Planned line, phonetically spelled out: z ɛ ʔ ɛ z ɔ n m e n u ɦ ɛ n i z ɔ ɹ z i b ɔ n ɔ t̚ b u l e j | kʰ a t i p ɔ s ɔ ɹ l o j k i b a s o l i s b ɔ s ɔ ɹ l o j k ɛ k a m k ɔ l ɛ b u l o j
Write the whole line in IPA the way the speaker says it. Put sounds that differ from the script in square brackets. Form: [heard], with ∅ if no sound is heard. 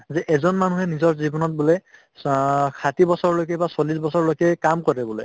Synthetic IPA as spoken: z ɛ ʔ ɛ z ɔ n m [a] n u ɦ ɛ n i z ɔ ɹ z i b ɔ n ɔ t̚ b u l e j | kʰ a t i [b] ɔ s ɔ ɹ l o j k [ɛ] b a s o l i s b ɔ s ɔ ɹ l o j k ɛ k a m k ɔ [ɹ] ɛ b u l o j